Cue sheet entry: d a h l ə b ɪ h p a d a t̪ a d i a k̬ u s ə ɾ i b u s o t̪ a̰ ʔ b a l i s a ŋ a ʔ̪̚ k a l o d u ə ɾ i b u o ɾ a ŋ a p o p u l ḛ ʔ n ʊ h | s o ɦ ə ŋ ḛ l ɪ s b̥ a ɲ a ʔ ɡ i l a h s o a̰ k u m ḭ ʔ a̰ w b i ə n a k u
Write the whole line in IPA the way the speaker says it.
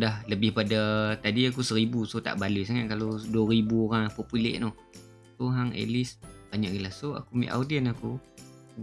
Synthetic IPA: d a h l ə b ɪ h p a d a t̪ a d i a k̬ u s ə ɾ i b u s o t̪ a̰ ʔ b a l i s a ŋ a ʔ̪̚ k a l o d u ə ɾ i b u o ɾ a ŋ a p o p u l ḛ ʔ n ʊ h | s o ɦ a ŋ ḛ l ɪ s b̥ a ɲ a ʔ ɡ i l a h s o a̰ k u m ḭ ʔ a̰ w d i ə n a k u